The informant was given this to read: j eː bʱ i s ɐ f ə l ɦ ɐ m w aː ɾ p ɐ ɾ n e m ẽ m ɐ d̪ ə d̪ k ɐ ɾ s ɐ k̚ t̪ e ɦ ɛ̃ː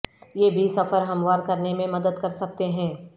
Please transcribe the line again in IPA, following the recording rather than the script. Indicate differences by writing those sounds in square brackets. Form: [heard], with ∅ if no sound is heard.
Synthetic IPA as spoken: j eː bʱ i s ɐ f ə [ɾ] ɦ ɐ m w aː ɾ [k] ɐ ɾ n e m ẽ m ɐ d̪ ə d̪ k ɐ ɾ s ɐ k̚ t̪ e ɦ ɛ̃ː